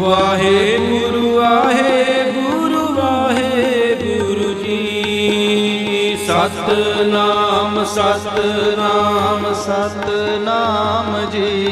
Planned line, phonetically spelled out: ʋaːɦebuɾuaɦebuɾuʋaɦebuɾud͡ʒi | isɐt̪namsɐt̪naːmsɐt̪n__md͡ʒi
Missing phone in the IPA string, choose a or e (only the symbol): a